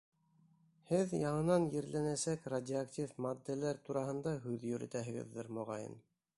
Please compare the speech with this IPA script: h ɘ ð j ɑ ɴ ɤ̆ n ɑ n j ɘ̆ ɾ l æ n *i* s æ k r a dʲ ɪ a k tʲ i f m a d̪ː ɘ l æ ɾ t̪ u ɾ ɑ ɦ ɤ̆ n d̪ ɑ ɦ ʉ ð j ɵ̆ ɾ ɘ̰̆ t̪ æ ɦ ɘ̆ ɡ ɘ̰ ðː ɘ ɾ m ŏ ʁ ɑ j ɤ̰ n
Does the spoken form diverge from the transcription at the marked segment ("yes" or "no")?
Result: yes